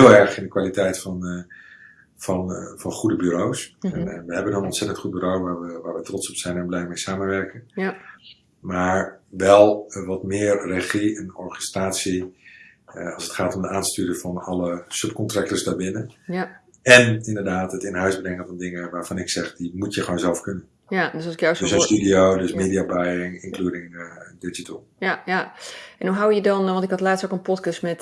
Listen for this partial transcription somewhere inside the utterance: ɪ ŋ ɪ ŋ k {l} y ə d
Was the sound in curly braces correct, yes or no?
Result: yes